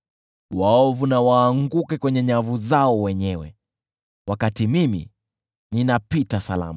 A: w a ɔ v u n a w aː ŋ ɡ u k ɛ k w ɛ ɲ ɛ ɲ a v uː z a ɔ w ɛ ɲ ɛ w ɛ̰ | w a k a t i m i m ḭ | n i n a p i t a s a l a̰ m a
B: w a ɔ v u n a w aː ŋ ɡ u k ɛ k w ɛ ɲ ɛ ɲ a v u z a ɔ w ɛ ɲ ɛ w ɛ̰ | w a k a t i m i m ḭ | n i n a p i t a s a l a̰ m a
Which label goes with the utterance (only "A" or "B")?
B